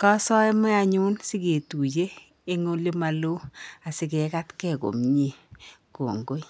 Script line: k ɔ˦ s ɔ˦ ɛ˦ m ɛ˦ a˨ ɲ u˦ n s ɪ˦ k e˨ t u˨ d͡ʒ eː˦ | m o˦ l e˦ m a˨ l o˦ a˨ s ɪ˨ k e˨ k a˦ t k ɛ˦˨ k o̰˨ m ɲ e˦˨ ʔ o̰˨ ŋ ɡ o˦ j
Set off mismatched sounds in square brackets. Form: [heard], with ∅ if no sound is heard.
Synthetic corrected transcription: k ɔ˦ s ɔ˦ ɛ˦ m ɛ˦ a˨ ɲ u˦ n s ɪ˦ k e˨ t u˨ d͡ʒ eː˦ | [ŋ] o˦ l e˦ m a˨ l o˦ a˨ s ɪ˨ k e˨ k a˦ t k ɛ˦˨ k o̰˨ m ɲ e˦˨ [k] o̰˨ ŋ ɡ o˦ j